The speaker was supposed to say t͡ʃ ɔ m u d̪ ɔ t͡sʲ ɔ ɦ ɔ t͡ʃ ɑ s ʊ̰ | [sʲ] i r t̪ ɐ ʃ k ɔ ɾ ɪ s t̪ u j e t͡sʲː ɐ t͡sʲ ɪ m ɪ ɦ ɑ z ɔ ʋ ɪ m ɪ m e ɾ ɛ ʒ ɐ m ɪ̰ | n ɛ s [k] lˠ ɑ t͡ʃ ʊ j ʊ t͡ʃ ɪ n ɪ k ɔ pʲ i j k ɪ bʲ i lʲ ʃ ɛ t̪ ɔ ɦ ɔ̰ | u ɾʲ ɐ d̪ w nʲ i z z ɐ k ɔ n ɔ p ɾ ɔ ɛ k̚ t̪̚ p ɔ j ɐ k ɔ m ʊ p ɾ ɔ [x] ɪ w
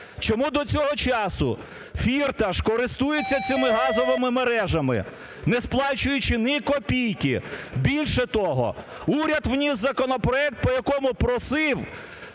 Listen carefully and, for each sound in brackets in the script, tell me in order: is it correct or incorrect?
incorrect: fʲ, incorrect: p, incorrect: s

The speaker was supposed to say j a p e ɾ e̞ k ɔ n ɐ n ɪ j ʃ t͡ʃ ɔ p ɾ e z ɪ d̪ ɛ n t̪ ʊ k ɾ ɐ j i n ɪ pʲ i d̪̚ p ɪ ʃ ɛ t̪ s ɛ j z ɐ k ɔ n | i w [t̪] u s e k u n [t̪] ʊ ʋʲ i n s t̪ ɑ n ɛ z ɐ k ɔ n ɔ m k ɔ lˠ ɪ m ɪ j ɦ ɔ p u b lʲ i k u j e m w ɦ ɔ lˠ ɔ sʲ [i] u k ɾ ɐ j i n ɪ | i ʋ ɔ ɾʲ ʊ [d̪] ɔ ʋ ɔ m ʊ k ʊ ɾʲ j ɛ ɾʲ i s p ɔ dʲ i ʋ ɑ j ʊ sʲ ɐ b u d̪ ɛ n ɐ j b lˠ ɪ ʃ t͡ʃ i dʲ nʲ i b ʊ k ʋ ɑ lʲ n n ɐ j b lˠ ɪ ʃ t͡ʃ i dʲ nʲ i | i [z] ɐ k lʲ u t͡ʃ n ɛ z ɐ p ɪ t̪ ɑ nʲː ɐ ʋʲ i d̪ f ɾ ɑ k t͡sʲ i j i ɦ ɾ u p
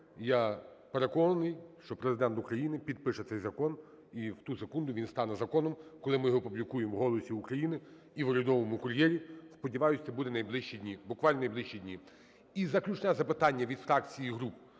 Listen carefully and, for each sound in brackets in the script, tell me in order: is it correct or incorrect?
correct, incorrect: d̪, correct, correct, correct

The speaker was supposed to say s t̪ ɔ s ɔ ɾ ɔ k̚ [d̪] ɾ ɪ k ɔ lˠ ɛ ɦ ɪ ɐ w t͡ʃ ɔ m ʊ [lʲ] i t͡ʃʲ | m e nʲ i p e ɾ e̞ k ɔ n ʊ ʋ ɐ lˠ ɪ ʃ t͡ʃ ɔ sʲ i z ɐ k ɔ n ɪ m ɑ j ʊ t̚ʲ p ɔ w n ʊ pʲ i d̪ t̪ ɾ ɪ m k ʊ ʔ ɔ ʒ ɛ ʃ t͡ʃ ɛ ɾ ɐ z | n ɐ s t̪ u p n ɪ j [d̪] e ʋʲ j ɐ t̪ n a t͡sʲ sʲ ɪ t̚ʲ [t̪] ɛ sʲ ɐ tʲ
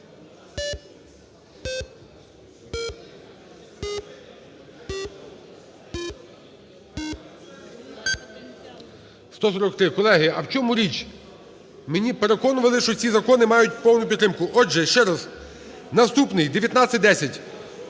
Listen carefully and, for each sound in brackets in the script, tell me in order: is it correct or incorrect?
incorrect: t̪, incorrect: ɾʲ, correct, incorrect: d̪

